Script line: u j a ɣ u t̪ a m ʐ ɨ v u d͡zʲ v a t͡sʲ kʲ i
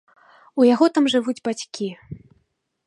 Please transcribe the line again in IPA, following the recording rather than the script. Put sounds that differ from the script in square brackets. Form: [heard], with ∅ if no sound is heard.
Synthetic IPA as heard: u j a ɣ [ɔ] t̪ a m ʐ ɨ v u d͡zʲ [b] a t͡sʲ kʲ i